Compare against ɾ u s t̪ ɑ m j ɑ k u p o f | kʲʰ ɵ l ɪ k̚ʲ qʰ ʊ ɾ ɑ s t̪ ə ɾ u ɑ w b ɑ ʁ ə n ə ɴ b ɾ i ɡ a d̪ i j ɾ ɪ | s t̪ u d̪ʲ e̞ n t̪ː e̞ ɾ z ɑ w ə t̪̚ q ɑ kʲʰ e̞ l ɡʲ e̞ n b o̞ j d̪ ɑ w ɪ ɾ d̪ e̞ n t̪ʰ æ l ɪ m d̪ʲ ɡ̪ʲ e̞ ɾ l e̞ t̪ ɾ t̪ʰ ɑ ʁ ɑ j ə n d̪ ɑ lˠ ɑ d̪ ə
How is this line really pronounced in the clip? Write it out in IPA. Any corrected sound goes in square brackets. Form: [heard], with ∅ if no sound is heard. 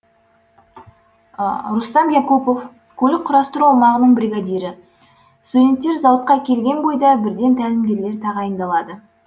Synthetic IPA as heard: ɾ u s t̪ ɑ m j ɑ k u p o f | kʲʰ ɵ l ɪ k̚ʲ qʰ ʊ ɾ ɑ s t̪ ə ɾ u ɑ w [m] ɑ ʁ ə n ə ɴ b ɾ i ɡ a d̪ i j ɾ ɪ | s t̪ u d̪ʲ e̞ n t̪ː e̞ ɾ z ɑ w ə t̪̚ q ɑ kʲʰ e̞ l ɡʲ e̞ n b o̞ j d̪ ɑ [b] ɪ ɾ d̪ e̞ n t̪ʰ æ l ɪ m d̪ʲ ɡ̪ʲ e̞ ɾ l e̞ [∅] ɾ t̪ʰ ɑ ʁ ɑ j ə n d̪ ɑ lˠ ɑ d̪ ə

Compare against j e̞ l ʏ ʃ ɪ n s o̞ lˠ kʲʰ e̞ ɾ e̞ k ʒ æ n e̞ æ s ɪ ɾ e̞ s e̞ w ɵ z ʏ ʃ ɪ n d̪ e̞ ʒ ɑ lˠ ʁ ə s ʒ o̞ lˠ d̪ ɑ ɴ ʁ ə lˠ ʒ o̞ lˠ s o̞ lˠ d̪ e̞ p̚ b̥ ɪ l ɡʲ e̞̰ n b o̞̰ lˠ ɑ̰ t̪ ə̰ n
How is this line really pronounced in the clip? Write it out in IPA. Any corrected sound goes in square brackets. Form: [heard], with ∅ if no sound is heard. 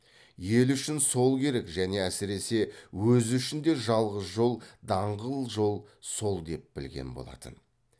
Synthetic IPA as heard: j e̞ l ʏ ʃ ɪ n s o̞ lˠ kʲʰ e̞ ɾ e̞ k ʒ æ n e̞ æ s ɪ ɾ e̞ s e̞ w ɵ z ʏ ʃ ɪ n d̪ e̞ ʒ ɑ lˠ ʁ ə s ʒ o̞ lˠ d̪ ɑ ɴ ʁ ə lˠ ʒ o̞ lˠ s o̞ lˠ d̪ e̞ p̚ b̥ ɪ l ɡʲ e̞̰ n b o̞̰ lˠ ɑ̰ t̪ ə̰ n

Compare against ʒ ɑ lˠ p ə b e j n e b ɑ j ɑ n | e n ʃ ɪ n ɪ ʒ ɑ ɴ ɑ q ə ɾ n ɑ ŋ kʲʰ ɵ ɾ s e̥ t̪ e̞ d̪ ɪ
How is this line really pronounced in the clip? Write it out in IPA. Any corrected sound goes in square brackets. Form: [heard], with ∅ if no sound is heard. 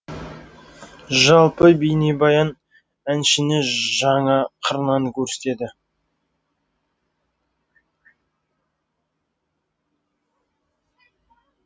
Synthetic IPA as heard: ʒ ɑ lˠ p ə b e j n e b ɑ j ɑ n | [æ] n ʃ ɪ n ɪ ʒ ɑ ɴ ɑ [qʰ] ə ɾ n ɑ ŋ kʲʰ ɵ ɾ s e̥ t̪ e̞ d̪ ɪ

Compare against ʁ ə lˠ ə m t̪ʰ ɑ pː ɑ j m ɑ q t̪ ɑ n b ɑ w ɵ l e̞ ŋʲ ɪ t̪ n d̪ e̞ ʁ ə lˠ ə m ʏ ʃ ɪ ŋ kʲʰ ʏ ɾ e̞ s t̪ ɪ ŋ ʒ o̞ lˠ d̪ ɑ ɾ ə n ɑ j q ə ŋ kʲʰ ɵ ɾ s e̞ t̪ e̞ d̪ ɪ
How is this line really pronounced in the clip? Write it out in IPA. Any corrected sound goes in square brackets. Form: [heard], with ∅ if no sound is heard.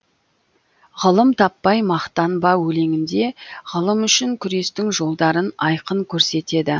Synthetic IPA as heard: ʁ ə lˠ ə m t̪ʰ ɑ pː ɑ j m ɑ q t̪ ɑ n b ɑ w ɵ l e̞ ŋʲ ɪ [∅] n d̪ e̞ ʁ ə lˠ ə m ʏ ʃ ɪ ŋ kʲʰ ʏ ɾ e̞ s t̪ ɪ ŋ ʒ o̞ lˠ d̪ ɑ ɾ ə n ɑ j q ə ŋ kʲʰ ɵ ɾ s e̞ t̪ e̞ d̪ ɪ

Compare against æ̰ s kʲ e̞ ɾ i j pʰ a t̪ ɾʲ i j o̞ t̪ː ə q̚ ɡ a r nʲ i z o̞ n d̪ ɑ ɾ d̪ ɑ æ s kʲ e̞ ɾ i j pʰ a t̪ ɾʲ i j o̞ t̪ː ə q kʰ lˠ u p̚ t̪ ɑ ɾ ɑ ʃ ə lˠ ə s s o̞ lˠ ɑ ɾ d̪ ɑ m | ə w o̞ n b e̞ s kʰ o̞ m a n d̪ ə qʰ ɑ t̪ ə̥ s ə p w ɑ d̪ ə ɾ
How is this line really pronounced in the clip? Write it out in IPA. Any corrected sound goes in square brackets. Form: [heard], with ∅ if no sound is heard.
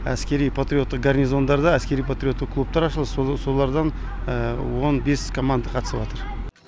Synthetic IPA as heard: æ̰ s kʲ e̞ ɾ i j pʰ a t̪ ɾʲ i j o̞ t̪ː ə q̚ ɡ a r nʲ i z o̞ n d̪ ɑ ɾ d̪ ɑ æ s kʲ e̞ ɾ i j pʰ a t̪ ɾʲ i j o̞ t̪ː ə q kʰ lˠ u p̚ t̪ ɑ ɾ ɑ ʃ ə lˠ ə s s o̞ lˠ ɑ ɾ d̪ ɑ [n] | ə w o̞ n b e̞ s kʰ o̞ m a n d̪ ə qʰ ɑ t̪ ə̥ s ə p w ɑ [t̪] ə ɾ

